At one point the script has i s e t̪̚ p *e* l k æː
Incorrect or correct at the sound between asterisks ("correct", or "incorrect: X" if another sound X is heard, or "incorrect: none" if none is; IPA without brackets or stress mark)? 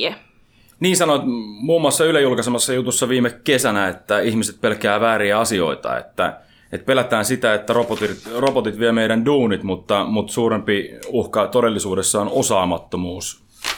correct